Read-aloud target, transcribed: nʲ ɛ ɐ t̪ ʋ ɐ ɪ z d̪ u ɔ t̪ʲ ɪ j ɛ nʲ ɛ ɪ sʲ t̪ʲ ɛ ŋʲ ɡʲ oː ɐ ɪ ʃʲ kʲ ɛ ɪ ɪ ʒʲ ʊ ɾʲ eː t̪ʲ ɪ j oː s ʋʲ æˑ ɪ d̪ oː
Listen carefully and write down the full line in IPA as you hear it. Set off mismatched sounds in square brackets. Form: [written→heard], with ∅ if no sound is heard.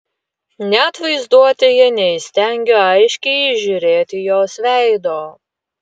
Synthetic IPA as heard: nʲ ɛ ɐ t̪ ʋ ɐ ɪ z d̪ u ɔ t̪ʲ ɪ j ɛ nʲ ɛ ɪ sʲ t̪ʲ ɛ ŋʲ ɡʲ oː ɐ ɪ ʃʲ kʲ ɛ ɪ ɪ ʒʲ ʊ ɾʲ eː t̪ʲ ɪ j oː s ʋʲ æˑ ɪ d̪ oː